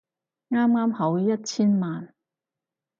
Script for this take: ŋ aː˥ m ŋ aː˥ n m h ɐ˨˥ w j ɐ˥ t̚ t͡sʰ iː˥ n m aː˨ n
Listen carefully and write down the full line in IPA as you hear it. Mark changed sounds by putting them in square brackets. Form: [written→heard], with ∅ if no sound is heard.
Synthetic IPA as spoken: ŋ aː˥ m ŋ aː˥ [n→∅] m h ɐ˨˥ w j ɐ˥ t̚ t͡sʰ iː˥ n m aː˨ n